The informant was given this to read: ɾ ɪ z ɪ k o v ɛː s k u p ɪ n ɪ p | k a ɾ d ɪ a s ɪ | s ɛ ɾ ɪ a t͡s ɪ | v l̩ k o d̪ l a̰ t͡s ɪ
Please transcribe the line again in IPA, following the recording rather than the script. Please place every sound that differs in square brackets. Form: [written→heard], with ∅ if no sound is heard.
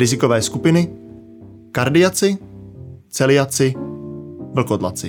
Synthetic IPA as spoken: ɾ ɪ z ɪ k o v ɛː s k u p ɪ n ɪ [p→∅] | k a ɾ d ɪ a [s→t͡s] ɪ | [s→t͡s] ɛ [ɾ→l] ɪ a t͡s ɪ | v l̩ k o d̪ l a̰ t͡s ɪ